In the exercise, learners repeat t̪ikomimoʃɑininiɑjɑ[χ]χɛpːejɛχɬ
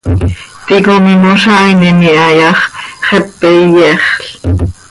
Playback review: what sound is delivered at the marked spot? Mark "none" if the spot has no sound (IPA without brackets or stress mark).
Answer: χ